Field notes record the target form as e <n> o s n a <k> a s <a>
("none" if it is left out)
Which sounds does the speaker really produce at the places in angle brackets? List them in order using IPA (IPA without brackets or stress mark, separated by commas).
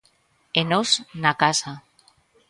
n, k, a